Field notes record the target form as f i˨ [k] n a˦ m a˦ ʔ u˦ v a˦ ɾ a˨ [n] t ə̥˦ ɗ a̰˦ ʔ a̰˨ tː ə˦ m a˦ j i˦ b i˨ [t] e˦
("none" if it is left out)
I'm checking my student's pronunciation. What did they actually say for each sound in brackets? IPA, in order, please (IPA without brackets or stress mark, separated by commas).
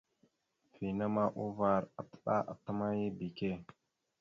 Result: none, none, k